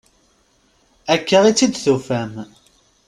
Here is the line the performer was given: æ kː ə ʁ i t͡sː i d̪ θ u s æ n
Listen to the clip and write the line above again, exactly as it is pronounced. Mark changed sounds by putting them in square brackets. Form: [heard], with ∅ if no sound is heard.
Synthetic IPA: æ kː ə ʁ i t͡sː i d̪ θ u [f] æ [m]

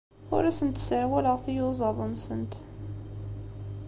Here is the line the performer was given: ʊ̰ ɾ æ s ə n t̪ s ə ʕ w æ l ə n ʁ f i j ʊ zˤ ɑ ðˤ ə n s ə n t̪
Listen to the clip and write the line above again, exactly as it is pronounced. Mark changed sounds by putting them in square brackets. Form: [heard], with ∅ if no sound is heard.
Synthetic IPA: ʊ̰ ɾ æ s ə n t̪ s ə ʕ w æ l ə [∅] ʁ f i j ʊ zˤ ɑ ðˤ ə n s ə n t̪

